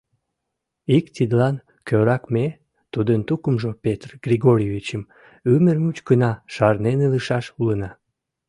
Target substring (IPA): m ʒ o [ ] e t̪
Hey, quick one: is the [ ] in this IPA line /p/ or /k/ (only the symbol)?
p